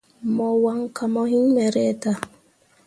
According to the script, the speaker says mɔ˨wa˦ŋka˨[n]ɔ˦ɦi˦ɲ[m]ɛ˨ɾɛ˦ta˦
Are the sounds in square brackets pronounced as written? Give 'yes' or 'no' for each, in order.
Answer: no, yes

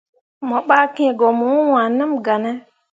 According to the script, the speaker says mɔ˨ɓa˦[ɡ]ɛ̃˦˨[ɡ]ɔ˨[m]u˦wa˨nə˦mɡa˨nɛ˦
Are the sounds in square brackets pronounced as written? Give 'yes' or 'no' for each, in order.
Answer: no, yes, yes

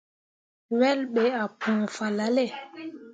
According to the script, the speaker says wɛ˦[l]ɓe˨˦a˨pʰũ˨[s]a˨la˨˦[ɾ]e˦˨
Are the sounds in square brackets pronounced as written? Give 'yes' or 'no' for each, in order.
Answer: yes, no, no

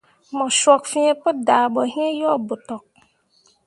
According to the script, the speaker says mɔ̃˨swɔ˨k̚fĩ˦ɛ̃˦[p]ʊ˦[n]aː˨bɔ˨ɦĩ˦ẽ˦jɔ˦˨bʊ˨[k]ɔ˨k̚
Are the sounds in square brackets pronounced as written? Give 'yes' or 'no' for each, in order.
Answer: yes, no, no

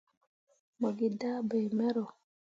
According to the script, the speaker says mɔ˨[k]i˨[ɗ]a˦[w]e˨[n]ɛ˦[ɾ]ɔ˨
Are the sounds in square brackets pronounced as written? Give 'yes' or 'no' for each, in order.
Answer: no, no, no, no, yes

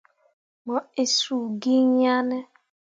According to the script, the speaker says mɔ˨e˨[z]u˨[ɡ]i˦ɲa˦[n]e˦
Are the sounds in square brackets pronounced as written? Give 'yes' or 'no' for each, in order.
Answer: no, yes, yes

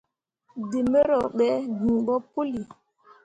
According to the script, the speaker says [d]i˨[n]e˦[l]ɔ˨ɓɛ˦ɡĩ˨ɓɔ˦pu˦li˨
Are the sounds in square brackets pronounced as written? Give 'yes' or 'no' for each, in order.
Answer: yes, no, no

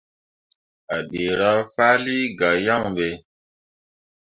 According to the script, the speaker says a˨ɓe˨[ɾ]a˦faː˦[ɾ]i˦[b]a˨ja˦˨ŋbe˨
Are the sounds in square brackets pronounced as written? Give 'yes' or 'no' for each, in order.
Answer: yes, no, no

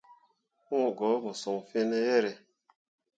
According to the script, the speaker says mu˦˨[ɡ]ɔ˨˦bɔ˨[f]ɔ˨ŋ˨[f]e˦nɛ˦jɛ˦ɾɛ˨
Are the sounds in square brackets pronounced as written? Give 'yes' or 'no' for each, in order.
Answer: yes, no, yes

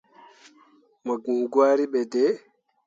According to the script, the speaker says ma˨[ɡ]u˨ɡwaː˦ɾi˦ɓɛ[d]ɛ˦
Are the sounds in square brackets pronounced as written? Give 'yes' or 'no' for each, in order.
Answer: yes, yes

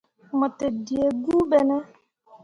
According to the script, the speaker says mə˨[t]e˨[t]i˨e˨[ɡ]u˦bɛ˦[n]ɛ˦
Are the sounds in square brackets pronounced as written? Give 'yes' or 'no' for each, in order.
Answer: yes, no, yes, yes

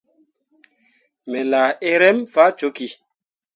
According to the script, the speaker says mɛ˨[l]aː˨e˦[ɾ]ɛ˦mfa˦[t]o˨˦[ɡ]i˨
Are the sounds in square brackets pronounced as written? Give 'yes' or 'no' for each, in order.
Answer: yes, yes, no, no

